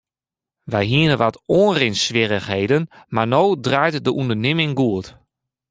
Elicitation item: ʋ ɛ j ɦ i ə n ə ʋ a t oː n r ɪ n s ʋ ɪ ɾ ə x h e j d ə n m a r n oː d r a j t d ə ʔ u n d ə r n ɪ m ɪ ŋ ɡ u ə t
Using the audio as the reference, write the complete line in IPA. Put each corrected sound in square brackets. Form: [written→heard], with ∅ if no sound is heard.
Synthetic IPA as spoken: ʋ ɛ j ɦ i ə n ə ʋ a t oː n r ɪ n s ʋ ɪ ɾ ə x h e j d ə n m a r n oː d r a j t d ə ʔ u n d ə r n ɪ m ɪ ŋ ɡ u ə t

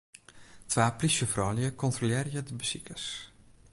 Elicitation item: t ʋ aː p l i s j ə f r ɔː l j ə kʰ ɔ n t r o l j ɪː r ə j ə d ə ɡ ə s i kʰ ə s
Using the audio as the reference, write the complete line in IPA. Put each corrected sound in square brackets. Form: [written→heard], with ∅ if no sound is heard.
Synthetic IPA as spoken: t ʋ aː p l i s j ə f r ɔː l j ə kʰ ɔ n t r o l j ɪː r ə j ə d ə [ɡ→b] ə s i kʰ ə s

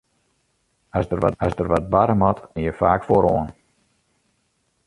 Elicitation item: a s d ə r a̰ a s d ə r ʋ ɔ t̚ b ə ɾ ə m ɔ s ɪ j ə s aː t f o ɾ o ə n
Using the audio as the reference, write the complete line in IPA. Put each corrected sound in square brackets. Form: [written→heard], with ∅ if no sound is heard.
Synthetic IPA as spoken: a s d ə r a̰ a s d ə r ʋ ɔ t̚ b [ə→a] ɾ ə m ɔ [s→t] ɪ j ə [s→f] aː [t→k] f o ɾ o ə n

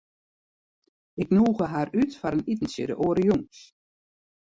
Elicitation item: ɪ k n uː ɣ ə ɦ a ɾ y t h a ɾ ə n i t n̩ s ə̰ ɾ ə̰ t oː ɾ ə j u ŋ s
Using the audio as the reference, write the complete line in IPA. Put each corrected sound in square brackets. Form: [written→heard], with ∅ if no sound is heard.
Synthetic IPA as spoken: ɪ k n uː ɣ ə ɦ a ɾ y t [h→f] a ɾ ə n i t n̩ s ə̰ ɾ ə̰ [t→ʔ] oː ɾ ə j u ŋ s

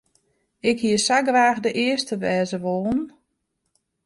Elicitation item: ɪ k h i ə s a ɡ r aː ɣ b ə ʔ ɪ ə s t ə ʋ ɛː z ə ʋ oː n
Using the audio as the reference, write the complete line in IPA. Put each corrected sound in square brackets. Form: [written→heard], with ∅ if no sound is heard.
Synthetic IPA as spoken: ɪ k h i ə s a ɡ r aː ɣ [b→d] ə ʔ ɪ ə s t ə ʋ ɛː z ə ʋ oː n

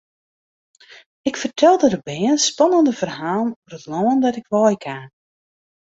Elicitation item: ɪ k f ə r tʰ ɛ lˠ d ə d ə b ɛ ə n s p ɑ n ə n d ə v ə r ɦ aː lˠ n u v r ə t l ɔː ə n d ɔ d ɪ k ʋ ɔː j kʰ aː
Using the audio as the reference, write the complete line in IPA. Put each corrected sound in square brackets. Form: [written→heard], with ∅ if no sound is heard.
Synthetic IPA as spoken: ɪ k f ə r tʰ ɛ lˠ d ə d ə b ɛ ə n s p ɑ n ə n d ə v ə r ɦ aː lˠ n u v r ə t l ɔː ə n d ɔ [d→t] ɪ k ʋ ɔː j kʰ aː

